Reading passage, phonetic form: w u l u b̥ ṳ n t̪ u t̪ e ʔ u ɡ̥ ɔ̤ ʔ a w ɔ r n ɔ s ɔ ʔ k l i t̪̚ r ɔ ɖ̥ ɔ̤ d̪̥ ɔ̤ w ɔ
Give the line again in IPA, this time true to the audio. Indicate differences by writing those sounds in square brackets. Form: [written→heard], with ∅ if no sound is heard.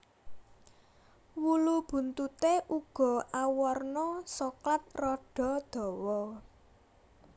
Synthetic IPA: w u l u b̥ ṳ n t̪ u t̪ e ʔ u ɡ̥ ɔ̤ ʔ a w ɔ r n ɔ s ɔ [ʔ→∅] k l [i→a] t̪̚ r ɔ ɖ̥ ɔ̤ d̪̥ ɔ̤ w ɔ